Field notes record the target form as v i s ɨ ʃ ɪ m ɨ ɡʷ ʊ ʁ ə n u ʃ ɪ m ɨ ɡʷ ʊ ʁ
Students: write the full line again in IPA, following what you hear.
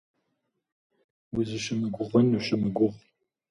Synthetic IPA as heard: w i z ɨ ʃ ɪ m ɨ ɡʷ ʊ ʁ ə n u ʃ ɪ m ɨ ɡʷ ʊ ʁ